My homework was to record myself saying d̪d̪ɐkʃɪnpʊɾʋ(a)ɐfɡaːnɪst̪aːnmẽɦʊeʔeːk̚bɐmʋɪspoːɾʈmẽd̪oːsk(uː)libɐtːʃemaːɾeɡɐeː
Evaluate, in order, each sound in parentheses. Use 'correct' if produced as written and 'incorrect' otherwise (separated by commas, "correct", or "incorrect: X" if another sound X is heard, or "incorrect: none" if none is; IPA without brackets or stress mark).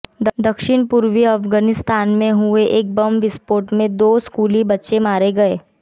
incorrect: i, correct